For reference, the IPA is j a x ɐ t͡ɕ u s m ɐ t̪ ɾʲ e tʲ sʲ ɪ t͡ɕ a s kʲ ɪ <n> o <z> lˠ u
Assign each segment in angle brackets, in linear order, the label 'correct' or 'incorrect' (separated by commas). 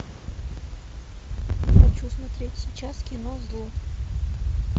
correct, correct